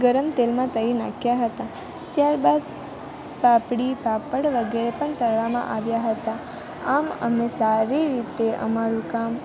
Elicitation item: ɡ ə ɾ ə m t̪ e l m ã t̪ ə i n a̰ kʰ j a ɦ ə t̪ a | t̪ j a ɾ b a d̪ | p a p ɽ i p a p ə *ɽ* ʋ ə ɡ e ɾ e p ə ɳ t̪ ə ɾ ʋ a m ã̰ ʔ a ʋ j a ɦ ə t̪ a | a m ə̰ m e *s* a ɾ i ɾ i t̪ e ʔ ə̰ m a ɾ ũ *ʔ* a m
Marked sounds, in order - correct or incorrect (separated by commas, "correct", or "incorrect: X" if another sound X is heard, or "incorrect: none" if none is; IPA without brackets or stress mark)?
correct, correct, incorrect: k